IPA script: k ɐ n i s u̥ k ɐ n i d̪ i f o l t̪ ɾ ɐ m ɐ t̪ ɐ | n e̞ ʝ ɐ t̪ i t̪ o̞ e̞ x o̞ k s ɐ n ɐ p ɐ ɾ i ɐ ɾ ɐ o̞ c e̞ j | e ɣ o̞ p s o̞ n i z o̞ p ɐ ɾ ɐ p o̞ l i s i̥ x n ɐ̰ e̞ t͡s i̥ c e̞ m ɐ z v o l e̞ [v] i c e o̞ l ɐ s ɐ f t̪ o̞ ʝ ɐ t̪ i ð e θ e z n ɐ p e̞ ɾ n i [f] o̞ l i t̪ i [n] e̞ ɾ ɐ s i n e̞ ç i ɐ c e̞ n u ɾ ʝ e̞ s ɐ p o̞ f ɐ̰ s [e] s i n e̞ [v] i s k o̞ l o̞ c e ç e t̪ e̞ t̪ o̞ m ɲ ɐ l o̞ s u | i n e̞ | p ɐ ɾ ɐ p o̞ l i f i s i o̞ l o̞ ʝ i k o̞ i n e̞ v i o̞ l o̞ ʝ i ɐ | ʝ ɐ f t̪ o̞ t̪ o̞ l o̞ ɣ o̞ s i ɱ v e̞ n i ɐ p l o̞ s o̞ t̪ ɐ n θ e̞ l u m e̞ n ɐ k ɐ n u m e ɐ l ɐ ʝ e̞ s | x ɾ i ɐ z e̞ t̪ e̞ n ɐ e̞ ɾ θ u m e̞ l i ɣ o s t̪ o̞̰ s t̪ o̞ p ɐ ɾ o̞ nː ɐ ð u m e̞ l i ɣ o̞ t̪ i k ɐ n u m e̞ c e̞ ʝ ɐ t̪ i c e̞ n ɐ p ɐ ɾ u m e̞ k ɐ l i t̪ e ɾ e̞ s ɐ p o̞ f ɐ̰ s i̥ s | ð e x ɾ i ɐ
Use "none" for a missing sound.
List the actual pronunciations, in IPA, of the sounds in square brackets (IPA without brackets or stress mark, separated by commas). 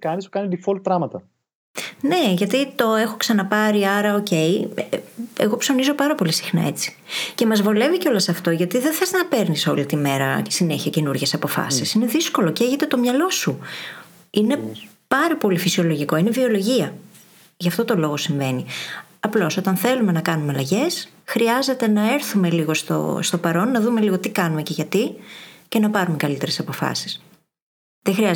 v, s, m, i, ð